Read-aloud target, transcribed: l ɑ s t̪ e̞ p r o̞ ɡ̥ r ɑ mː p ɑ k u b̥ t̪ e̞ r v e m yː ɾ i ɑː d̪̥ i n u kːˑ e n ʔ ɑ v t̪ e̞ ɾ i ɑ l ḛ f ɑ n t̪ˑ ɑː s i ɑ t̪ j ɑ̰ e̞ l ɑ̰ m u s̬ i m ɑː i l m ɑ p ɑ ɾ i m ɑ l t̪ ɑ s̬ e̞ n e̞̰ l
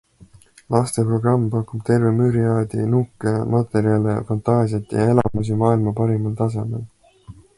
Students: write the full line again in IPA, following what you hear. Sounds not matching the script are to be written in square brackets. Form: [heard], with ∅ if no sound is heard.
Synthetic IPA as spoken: l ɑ s t̪ e̞ p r o̞ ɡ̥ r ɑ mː p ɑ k u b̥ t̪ e̞ r v e m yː ɾ i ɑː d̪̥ i n u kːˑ e [m] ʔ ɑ [∅] t̪ e̞ ɾ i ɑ l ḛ f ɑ n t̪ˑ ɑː s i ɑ t̪ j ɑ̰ e̞ l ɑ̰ m u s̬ i m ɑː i l m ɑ p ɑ ɾ i m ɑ l t̪ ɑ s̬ e̞ [m] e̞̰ l